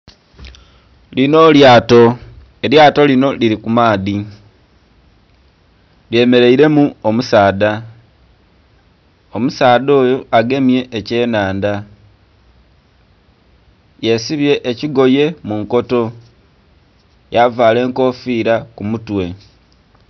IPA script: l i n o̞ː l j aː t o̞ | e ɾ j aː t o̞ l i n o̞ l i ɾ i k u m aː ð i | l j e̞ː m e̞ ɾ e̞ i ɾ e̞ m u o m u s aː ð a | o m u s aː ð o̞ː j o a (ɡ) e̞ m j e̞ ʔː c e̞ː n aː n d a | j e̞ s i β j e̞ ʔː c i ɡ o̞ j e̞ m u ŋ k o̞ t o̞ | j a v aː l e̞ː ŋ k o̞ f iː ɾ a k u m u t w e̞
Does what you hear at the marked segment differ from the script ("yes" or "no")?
no